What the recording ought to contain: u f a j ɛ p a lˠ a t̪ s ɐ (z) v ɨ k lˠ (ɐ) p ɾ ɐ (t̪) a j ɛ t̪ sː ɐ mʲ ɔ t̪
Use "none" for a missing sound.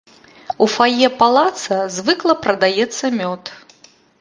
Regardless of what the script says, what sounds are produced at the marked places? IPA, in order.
z, ɐ, d̪

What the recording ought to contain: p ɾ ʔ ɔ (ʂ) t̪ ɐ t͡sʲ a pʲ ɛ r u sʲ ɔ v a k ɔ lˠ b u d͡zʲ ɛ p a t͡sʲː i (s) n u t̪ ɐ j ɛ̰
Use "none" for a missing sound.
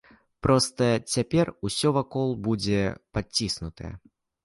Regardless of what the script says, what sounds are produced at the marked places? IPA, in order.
s, s

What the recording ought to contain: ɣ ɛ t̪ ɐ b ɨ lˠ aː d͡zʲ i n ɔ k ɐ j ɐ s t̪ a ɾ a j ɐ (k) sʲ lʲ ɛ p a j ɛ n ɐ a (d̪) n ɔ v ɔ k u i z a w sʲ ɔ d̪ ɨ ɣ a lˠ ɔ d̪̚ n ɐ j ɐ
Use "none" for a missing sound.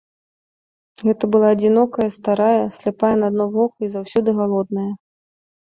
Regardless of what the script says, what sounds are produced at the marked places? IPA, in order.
none, d̪

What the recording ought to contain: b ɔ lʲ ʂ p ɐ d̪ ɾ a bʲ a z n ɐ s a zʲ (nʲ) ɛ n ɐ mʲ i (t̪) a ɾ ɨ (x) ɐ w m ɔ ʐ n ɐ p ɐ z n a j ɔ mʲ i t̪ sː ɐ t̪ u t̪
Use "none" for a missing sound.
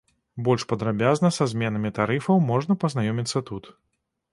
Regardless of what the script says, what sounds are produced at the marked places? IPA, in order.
mʲ, t̪, f

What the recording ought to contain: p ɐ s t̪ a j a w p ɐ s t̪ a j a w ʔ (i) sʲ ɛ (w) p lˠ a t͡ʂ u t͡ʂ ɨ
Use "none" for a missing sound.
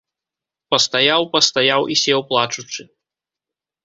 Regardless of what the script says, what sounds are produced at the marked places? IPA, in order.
i, w

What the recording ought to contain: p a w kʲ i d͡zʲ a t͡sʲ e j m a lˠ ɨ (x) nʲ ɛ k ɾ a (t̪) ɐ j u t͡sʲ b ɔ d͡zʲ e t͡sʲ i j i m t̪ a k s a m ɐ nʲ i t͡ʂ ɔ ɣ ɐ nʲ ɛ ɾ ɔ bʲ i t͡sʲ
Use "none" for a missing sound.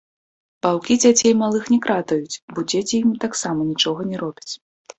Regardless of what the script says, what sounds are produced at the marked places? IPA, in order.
x, t̪

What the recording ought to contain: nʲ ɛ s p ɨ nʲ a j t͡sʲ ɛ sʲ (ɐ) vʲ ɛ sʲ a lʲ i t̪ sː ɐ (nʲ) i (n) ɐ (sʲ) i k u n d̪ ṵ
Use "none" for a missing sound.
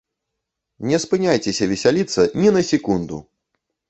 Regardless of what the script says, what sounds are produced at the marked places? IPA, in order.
ɐ, nʲ, n, sʲ

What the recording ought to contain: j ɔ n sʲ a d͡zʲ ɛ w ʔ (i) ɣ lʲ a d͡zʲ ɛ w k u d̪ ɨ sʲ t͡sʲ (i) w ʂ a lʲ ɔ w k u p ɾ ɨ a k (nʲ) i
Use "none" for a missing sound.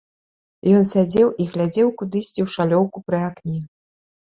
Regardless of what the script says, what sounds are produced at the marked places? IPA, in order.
i, i, nʲ

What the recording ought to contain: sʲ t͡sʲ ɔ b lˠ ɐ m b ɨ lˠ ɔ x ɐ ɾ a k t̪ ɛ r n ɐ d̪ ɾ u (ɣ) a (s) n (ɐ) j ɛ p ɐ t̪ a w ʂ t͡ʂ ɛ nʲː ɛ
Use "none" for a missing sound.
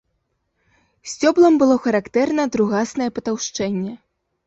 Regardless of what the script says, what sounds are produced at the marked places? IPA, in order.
ɣ, s, ɐ

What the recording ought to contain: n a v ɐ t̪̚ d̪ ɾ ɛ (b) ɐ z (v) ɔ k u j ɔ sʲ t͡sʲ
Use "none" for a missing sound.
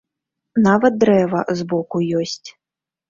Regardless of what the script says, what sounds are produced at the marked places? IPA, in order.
v, b

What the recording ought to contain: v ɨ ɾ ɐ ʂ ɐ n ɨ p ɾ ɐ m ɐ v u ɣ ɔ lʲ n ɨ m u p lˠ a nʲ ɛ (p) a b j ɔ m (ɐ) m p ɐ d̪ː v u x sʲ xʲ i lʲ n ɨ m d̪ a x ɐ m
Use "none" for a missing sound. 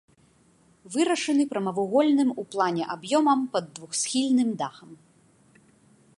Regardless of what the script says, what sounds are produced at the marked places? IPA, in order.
ʔ, ɐ

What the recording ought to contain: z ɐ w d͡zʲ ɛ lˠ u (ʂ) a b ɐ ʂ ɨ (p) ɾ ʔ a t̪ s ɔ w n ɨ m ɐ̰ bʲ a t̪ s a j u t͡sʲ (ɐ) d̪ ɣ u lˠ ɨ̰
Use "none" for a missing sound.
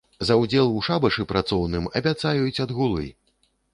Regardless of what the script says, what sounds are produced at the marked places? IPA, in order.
ʂ, p, ɐ

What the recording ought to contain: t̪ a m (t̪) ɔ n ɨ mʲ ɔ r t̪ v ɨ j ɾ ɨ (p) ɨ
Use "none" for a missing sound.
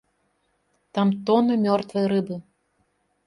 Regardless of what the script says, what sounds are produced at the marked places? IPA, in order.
t̪, b

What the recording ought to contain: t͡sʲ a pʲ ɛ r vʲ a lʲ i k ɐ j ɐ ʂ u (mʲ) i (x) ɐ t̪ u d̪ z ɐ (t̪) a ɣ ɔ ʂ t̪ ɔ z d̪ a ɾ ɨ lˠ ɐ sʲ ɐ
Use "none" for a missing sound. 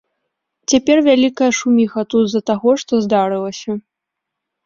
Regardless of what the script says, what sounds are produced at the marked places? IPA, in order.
mʲ, x, t̪

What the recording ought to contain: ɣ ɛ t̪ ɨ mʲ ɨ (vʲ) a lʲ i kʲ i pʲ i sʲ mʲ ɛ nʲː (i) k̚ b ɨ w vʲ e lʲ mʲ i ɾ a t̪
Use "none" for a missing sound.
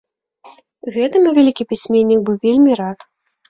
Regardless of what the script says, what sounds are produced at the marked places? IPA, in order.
vʲ, i

